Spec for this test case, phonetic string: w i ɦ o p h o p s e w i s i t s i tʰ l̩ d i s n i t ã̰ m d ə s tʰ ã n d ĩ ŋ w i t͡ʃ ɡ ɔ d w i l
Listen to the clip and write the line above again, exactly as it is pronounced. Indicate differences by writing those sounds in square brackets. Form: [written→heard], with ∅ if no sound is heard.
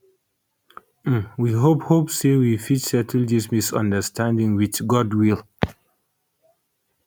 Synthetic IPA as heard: w i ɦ o p h o p s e w i [s→f] i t s [i→ɛ] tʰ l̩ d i s [n→m] i [t→s] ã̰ [m→n] d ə s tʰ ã n d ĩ ŋ w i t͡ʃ ɡ ɔ d w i l